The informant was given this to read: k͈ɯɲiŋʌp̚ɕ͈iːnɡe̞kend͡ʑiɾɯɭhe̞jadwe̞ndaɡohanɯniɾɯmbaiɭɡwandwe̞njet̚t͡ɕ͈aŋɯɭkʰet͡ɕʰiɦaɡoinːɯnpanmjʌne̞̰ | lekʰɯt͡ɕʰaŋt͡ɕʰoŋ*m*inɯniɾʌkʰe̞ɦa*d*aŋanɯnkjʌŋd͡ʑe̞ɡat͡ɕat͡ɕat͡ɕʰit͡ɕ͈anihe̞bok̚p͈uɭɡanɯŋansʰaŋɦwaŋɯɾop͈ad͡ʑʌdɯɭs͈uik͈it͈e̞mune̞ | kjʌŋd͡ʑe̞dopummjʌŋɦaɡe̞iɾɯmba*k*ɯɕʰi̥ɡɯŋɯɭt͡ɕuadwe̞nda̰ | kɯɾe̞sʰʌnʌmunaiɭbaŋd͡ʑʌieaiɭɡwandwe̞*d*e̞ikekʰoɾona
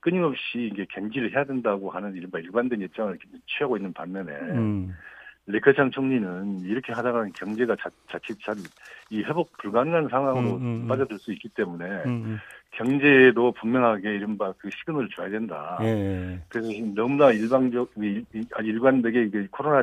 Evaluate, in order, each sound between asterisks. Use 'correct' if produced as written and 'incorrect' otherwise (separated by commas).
incorrect, correct, correct, incorrect